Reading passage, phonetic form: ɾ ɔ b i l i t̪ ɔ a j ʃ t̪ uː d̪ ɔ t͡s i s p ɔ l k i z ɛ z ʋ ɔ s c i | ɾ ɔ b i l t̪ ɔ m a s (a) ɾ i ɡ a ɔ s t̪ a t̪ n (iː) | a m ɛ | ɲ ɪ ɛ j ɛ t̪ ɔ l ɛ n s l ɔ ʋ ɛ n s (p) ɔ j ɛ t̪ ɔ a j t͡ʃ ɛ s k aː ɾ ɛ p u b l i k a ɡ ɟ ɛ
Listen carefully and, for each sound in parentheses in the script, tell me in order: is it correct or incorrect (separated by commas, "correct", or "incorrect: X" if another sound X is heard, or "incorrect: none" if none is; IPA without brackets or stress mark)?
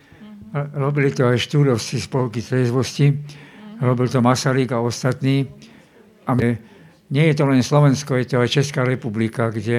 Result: correct, correct, incorrect: k